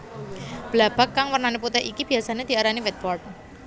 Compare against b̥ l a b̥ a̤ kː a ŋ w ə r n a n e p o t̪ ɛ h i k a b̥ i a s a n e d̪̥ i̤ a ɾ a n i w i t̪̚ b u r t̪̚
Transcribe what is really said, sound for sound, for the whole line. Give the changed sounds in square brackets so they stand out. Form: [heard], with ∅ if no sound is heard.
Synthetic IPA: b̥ l a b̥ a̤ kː a ŋ w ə r n a n e p [u] t̪ ɛ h i k [i] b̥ i a s a n e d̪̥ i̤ a ɾ a n i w [ɛ] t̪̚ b [ɔ] r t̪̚

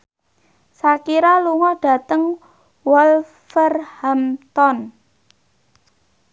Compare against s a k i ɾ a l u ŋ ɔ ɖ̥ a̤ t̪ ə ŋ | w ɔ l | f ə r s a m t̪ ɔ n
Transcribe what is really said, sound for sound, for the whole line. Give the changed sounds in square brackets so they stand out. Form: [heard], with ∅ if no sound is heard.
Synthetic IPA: s a k i ɾ a l u ŋ ɔ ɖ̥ a̤ t̪ ə ŋ | w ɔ l | f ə r [h] a m t̪ ɔ n

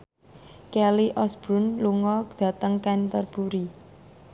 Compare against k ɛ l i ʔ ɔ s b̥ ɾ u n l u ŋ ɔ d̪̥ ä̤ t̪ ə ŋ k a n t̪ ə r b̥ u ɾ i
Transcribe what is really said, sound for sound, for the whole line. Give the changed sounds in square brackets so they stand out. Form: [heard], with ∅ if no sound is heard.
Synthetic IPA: k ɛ l i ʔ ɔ s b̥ ɾ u n l u ŋ ɔ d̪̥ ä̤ t̪ ə ŋ k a n t̪ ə r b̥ u ɾ i

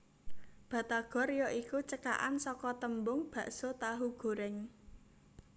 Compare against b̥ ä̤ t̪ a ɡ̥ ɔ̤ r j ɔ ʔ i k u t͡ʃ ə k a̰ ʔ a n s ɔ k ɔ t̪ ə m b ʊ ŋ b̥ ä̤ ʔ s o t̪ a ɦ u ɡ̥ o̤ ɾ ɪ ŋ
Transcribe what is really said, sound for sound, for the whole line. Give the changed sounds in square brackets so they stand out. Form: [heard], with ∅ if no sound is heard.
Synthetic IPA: b̥ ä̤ t̪ a ɡ̥ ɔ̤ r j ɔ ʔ i k u t͡ʃ ə k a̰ ʔ a n s ɔ k ɔ t̪ ə m b ʊ ŋ b̥ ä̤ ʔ s o t̪ a ɦ u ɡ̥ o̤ ɾ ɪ ŋ

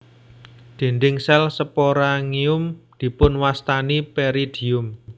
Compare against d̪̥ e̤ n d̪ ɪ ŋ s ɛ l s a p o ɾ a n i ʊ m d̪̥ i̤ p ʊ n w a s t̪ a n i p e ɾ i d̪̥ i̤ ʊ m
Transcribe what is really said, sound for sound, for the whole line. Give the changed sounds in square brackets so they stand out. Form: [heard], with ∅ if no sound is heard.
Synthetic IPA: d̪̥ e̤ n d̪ ɪ ŋ s ɛ l s [ə] p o ɾ a [ŋ] i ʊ m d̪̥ i̤ p ʊ n w a s t̪ a n i p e ɾ i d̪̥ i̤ ʊ m

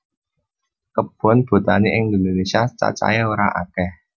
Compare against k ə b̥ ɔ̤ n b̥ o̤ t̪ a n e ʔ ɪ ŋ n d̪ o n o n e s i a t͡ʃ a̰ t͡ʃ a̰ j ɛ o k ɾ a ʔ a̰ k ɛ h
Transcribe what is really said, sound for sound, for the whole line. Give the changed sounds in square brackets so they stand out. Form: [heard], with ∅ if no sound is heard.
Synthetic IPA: k ə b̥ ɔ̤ n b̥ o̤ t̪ a n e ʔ ɪ ŋ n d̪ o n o n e s i a t͡ʃ a̰ t͡ʃ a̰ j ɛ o [∅] ɾ a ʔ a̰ k ɛ h

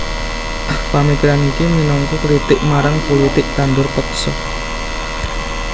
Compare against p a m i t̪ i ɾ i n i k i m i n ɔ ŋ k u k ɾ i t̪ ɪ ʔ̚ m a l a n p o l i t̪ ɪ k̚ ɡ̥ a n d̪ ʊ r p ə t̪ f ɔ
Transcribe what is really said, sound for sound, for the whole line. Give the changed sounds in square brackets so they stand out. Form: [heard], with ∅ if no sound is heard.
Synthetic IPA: p a m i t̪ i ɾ [a] n i k i m i n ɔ ŋ k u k ɾ i t̪ ɪ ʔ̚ m a [ɾ] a [ŋ] p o l i t̪ ɪ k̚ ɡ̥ a n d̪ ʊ r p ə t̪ [s] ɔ

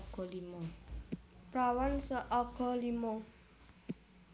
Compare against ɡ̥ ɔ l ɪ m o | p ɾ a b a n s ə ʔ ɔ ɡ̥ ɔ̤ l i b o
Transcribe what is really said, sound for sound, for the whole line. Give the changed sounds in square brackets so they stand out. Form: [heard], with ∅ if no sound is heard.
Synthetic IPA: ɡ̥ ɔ l [i] m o | p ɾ a [w] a n s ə ʔ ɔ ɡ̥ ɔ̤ l i [m] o

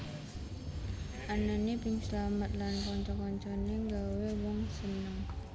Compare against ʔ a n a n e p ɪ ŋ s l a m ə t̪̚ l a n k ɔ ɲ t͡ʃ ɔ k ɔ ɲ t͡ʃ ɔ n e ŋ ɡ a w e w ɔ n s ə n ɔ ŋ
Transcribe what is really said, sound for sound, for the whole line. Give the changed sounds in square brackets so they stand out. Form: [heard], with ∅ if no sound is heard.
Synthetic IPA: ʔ a n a n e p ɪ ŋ s l a m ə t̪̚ l a n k ɔ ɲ t͡ʃ ɔ k ɔ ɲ t͡ʃ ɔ n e ŋ ɡ a w e w ɔ [ŋ] s ə n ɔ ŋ

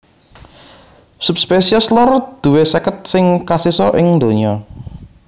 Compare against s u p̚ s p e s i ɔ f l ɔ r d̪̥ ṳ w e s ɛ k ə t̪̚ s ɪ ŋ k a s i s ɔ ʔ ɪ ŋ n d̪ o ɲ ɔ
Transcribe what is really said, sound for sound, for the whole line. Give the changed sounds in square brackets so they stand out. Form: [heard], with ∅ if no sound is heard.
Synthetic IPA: s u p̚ s p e s i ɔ [s] l ɔ r d̪̥ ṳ w e s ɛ k ə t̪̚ s ɪ ŋ k a s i s ɔ ʔ ɪ ŋ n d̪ o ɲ ɔ

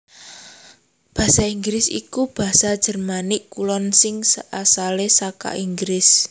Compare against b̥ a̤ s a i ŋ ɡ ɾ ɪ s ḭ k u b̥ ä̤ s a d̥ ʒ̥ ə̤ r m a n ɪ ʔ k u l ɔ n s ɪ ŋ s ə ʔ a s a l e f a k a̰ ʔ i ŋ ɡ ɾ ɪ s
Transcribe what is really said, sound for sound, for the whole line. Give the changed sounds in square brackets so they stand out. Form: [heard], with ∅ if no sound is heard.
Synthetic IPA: b̥ a̤ s a i ŋ ɡ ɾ ɪ s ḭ k u b̥ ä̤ s a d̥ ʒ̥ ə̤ r m a n ɪ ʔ k u l ɔ n s ɪ ŋ s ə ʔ a s a l e [s] a k a̰ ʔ i ŋ ɡ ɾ ɪ s

